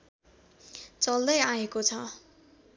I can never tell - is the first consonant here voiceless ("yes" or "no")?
yes